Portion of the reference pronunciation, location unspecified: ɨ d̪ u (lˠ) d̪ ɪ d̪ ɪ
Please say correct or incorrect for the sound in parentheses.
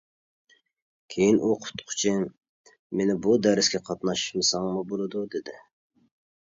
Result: incorrect